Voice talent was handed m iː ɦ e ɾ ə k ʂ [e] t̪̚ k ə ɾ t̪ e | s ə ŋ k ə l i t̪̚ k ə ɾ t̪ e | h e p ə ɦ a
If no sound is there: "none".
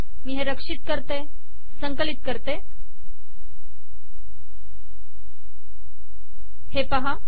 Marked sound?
i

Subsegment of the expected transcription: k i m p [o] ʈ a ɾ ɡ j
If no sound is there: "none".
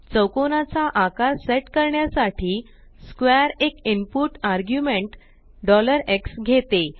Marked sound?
u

